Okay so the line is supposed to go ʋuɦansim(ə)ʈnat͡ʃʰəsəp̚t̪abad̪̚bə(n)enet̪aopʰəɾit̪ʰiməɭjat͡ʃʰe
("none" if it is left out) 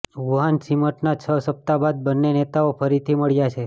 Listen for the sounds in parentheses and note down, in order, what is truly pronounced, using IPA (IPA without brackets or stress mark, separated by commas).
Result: ə, nː